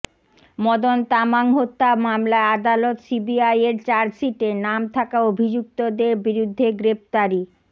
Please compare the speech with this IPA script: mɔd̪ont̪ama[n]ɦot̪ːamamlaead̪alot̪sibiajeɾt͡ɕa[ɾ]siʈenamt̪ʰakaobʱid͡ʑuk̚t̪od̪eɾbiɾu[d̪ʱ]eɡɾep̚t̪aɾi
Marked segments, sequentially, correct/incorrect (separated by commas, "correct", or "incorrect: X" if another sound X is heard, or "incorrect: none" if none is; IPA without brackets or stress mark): incorrect: ŋ, correct, incorrect: d̪ʱː